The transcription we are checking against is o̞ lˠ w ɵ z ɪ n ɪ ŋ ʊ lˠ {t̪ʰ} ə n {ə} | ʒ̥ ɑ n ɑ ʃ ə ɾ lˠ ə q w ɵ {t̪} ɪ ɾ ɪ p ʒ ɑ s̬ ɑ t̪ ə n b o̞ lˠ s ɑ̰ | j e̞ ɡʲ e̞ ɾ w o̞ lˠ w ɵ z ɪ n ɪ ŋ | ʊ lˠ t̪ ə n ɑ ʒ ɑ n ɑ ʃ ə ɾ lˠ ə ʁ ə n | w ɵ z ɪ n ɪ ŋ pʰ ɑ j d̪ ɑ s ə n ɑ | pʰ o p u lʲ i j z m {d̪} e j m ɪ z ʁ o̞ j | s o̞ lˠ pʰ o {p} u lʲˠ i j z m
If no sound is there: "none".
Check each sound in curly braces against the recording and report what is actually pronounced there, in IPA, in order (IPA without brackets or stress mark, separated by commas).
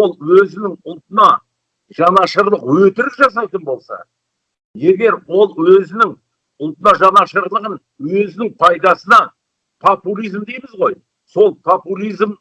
t̪, ɑ, t̪, d̪, p